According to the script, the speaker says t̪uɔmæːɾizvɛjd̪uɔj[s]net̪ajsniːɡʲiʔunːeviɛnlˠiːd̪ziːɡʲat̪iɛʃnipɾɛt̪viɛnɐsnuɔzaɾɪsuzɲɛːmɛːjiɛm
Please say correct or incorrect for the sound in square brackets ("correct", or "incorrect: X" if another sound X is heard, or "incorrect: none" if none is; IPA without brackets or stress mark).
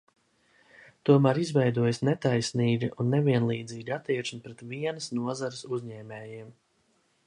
correct